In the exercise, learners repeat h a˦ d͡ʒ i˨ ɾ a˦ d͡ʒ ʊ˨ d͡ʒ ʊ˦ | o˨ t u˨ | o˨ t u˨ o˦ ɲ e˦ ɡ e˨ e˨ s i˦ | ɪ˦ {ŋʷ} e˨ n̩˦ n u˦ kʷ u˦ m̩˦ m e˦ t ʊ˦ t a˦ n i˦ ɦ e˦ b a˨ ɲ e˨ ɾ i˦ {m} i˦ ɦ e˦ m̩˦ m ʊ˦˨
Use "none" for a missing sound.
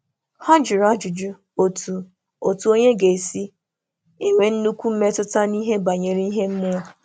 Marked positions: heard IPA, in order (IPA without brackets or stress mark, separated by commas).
ŋʷ, none